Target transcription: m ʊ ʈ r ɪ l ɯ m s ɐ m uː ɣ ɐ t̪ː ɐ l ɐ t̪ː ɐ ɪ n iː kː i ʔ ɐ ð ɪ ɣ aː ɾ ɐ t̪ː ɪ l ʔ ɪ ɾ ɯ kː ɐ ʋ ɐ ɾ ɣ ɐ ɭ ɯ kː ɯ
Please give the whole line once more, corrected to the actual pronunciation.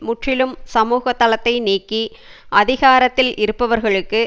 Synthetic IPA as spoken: m ʊ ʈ r ɪ l ɯ m s ɐ m uː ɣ ɐ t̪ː ɐ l ɐ t̪ː ɐ ɪ n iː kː i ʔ ɐ ð ɪ ɣ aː ɾ ɐ t̪ː ɪ l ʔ ɪ ɾ ɯ pː ɐ ʋ ɐ ɾ ɣ ɐ ɭ ɯ kː ɯ